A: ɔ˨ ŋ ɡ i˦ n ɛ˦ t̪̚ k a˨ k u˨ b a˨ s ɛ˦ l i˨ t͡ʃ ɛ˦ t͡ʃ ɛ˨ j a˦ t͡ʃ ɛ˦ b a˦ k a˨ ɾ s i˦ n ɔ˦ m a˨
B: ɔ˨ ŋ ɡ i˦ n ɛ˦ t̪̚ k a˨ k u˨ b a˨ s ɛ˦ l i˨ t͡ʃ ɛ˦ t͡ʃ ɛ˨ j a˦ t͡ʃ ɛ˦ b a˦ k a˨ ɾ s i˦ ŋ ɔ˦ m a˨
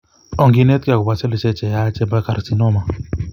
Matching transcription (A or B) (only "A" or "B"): A